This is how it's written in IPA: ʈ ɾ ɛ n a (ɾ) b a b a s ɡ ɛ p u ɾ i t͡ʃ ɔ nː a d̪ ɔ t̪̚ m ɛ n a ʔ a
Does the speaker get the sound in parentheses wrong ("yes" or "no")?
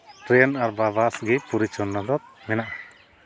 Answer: no